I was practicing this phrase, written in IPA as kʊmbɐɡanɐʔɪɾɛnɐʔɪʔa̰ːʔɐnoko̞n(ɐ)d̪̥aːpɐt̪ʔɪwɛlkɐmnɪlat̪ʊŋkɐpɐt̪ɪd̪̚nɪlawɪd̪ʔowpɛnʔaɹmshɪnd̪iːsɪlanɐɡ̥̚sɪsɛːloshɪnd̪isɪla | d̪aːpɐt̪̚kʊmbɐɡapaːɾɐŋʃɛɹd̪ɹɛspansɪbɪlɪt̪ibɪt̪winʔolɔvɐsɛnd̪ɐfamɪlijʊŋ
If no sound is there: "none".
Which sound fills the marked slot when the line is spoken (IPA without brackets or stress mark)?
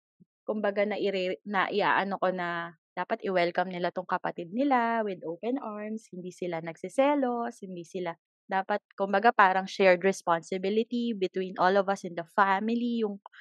ɐ